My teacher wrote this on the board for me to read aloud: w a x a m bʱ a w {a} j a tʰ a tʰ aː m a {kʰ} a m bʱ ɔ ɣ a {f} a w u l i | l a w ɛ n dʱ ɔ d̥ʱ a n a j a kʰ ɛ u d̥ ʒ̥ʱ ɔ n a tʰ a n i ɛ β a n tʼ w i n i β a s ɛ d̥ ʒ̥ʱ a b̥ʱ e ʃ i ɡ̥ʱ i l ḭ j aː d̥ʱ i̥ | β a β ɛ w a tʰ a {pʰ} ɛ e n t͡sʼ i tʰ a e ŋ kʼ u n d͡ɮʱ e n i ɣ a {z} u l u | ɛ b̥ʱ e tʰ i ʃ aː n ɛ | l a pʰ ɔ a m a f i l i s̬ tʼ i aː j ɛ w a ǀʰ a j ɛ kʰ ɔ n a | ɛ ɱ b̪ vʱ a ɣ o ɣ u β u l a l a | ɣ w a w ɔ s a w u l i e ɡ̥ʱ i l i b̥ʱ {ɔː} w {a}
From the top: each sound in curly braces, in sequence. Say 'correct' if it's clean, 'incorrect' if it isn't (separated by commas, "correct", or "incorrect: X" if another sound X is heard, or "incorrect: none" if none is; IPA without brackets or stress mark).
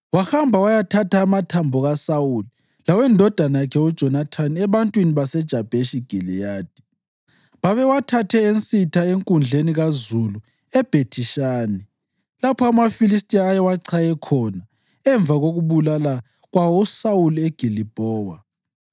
correct, incorrect: tʰ, incorrect: s, incorrect: tʰ, correct, correct, correct